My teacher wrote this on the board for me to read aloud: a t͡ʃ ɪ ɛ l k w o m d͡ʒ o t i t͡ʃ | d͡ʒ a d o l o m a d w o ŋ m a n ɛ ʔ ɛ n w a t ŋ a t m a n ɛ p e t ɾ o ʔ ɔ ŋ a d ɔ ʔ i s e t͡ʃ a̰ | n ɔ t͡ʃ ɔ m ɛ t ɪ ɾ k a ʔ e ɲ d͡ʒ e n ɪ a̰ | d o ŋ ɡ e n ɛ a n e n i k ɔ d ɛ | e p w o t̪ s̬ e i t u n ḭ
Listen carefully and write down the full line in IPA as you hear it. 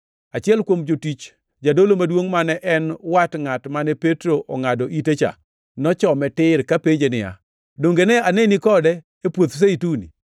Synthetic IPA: a t͡ʃ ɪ ɛ l k w o m d͡ʒ o t i t͡ʃ | d͡ʒ a d o l o m a d w o ŋ m a n ɛ ʔ ɛ n w a t ŋ a t m a n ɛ p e t ɾ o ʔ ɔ ŋ a d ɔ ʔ i t e t͡ʃ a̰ | n ɔ t͡ʃ ɔ m ɛ t ɪ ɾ k a p e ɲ d͡ʒ e n ɪ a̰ | d o ŋ ɡ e n ɛ a n e n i k ɔ d ɛ | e p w o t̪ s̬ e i t u n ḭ